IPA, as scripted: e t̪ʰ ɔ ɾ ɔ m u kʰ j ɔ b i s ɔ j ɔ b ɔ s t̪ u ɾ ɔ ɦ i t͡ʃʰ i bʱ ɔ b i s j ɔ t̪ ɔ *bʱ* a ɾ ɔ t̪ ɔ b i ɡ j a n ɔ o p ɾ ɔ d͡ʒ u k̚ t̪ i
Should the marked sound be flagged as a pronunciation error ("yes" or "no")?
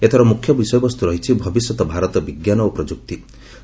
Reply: no